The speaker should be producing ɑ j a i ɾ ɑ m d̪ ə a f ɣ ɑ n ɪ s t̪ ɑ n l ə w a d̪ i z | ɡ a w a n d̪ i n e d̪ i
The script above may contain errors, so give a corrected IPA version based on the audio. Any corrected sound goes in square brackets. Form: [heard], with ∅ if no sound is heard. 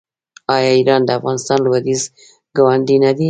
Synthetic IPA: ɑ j [ɑ] i ɾ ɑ [n] d̪ ə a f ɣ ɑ n ɪ s t̪ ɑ n l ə w a d̪ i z | ɡ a w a n d̪ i n [a] d̪ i